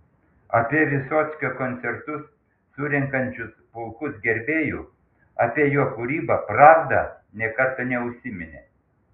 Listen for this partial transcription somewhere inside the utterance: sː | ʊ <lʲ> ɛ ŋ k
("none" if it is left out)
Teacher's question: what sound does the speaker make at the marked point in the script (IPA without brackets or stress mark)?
ɾʲ